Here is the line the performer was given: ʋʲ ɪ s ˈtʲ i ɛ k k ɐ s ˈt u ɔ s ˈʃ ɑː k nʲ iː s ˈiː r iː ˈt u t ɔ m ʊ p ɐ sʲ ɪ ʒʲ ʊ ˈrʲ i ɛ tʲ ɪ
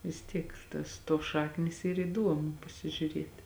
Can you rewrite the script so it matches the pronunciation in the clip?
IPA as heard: ʋʲ ɪ s ˈtʲ i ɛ k t ɐ s ˈt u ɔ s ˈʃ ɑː k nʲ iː s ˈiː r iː ˈd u ɔ m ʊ p ɐ sʲ ɪ ʒʲ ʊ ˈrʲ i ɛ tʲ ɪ